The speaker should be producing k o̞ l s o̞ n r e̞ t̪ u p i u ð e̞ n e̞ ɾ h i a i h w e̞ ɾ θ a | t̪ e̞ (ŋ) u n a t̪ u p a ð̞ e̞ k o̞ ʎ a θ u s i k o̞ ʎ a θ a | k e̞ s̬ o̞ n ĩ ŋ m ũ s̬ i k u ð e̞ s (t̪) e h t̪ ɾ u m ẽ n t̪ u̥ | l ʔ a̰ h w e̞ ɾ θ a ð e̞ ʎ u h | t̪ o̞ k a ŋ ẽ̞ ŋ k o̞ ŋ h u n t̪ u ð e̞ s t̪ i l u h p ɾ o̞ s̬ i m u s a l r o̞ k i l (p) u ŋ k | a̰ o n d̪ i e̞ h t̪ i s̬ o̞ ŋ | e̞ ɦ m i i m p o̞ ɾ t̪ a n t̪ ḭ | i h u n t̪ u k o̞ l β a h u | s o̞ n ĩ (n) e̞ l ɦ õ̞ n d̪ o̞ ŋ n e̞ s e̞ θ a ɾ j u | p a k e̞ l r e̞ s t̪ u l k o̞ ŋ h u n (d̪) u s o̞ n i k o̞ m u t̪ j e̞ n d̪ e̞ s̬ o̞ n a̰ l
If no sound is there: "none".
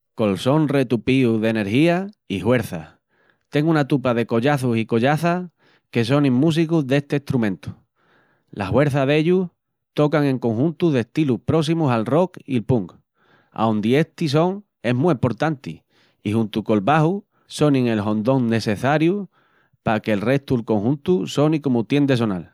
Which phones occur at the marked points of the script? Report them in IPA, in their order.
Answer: ŋ, t̪, p, ŋ, t̪

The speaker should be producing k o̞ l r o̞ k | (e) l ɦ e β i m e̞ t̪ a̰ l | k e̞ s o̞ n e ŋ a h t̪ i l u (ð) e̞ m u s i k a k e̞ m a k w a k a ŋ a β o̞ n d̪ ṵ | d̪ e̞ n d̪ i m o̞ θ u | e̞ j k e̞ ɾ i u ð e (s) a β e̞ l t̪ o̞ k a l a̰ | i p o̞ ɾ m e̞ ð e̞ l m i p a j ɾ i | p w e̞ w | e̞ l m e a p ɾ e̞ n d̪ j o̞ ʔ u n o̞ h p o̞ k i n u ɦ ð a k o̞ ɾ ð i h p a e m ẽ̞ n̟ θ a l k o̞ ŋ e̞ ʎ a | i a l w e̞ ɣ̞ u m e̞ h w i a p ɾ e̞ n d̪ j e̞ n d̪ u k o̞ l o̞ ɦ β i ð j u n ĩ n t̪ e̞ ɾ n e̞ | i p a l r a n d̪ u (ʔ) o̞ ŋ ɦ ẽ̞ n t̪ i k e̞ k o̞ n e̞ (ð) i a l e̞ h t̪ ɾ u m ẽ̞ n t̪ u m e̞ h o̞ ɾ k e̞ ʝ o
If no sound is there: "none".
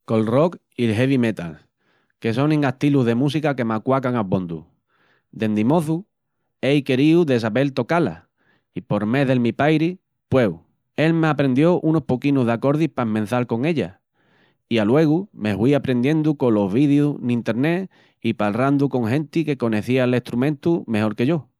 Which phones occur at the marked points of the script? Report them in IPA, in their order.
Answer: i, ð, s, k, θ

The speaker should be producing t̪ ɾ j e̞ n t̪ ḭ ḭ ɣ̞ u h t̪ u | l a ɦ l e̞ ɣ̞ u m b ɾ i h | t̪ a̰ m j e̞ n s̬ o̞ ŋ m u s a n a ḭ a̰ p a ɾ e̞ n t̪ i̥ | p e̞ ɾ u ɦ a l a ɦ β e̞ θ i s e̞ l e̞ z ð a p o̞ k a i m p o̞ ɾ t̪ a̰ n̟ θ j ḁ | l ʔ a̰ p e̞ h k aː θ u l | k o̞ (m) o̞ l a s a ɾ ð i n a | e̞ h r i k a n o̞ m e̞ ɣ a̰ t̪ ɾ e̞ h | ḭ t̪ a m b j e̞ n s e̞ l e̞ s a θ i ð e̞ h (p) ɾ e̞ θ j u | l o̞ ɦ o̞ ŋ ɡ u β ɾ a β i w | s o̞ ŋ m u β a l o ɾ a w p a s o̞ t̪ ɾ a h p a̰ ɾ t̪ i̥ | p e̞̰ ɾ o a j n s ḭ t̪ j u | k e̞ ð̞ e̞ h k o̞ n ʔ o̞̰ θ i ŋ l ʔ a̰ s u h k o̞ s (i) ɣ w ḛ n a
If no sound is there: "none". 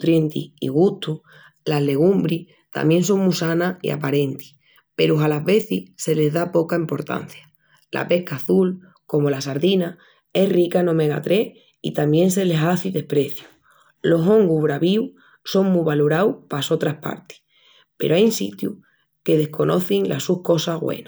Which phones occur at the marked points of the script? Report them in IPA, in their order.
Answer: m, p, a

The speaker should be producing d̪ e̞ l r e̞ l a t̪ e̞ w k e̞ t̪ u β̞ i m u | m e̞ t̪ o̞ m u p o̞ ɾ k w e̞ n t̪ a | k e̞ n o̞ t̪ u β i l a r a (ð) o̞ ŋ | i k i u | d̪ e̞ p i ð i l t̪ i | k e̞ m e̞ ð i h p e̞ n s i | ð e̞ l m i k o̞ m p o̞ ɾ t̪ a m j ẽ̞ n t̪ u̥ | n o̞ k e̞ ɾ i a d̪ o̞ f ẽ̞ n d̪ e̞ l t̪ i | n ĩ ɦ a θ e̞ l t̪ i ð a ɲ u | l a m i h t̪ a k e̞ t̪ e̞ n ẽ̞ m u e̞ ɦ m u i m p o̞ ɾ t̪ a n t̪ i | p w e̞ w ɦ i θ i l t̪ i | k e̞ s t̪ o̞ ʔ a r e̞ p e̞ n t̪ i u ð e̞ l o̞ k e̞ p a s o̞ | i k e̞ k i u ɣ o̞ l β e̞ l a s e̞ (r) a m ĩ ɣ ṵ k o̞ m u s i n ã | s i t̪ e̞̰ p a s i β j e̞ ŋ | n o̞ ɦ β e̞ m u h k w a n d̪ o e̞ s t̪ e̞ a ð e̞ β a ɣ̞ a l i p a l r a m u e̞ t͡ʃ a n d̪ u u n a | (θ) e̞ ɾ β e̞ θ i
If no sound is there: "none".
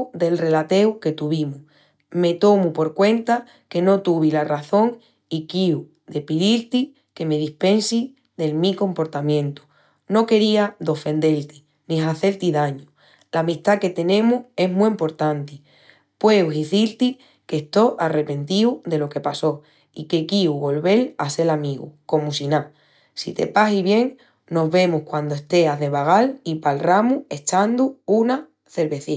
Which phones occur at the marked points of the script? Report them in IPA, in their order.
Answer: θ, l, θ

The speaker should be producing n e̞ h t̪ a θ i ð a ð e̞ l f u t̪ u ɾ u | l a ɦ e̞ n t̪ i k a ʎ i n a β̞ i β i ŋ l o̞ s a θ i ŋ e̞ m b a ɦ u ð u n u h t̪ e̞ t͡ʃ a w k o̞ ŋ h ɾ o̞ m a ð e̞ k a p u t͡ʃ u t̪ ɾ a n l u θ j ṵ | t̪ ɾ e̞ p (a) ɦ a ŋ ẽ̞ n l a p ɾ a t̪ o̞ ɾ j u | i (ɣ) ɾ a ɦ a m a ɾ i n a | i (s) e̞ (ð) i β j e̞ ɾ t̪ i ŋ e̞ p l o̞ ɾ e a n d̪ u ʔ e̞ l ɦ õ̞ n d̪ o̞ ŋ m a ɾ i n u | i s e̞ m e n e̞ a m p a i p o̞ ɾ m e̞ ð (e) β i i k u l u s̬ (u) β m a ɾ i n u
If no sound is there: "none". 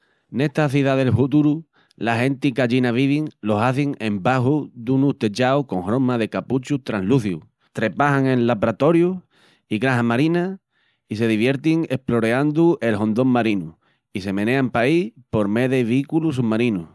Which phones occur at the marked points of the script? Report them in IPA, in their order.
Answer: a, ɣ, s, ð, e, u

